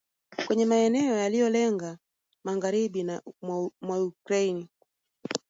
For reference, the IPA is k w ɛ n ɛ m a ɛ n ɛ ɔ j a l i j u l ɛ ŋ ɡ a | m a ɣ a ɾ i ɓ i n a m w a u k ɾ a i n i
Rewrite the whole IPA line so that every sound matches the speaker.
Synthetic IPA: k w ɛ ɲ ɛ m a ɛ n ɛ ɔ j a l i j ɔ l ɛ ŋ ɡ a | m a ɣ a ɾ i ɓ i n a m w a u k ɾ a i n i